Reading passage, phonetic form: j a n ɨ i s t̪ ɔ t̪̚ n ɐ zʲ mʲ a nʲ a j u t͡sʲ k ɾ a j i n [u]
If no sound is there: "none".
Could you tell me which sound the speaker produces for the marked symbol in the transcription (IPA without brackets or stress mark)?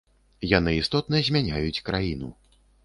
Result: u